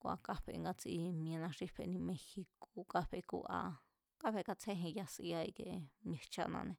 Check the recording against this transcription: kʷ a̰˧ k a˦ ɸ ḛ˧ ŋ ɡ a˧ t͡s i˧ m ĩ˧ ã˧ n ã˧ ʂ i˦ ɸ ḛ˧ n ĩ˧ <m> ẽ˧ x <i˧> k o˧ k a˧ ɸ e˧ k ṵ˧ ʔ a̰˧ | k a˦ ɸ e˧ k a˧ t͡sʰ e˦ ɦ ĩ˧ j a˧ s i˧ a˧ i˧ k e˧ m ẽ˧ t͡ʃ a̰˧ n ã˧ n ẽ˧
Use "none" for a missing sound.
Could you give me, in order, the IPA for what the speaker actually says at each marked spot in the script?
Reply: m, i˧

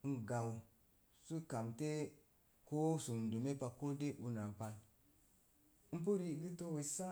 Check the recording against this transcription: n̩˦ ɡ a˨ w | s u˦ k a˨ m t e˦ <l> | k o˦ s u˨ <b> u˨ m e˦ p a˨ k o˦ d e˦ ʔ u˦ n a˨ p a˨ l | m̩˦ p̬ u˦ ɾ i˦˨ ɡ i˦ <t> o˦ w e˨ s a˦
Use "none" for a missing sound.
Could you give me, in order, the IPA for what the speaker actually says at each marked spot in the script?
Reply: none, d, t

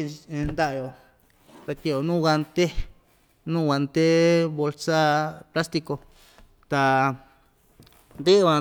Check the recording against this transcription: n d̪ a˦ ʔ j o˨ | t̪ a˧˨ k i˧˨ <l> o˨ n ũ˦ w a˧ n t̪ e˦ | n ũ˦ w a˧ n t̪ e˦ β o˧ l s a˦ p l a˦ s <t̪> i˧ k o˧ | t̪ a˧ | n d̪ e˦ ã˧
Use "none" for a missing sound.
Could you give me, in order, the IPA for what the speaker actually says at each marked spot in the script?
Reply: none, t̪

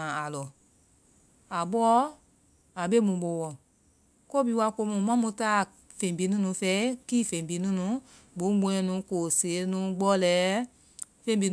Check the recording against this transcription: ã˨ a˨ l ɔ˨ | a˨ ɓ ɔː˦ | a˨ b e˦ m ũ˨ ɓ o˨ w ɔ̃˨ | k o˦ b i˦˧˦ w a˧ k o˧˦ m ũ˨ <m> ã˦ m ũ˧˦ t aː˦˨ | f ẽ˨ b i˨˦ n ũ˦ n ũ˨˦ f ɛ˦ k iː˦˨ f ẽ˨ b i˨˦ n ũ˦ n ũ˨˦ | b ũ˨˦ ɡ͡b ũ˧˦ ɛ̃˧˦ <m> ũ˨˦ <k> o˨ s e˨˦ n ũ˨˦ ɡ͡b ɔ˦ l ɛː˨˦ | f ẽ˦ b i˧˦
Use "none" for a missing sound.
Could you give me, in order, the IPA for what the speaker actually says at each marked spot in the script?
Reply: m, n, k

